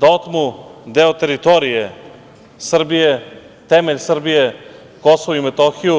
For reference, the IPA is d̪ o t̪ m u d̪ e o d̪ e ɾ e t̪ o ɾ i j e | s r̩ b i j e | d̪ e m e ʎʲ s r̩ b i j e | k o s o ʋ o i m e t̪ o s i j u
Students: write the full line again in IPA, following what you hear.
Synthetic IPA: d̪ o t̪ m u d̪ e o t̪ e ɾ i t̪ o ɾ i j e | s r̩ b i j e | t̪ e m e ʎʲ s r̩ b i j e | k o s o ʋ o i m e t̪ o x i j u